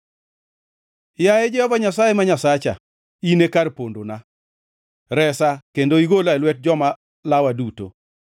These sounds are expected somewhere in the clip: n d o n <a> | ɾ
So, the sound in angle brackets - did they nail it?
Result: yes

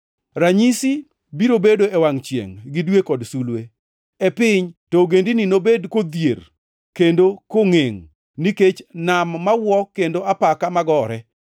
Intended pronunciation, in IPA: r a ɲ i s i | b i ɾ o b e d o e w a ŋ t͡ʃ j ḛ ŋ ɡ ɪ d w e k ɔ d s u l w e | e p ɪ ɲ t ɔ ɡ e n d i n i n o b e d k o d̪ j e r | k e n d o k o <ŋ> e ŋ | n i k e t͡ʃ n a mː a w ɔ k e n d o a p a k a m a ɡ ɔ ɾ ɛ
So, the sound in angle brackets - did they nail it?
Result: yes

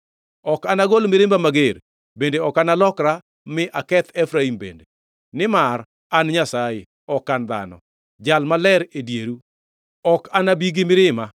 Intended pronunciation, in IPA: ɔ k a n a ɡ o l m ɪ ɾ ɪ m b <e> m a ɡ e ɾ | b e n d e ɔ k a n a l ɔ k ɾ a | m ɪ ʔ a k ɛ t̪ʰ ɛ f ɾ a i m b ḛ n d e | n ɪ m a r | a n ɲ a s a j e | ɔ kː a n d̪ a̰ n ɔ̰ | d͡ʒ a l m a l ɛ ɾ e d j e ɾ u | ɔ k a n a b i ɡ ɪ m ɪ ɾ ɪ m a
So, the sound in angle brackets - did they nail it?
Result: no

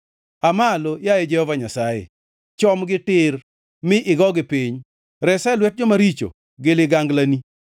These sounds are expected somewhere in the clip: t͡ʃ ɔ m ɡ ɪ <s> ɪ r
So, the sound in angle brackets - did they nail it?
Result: no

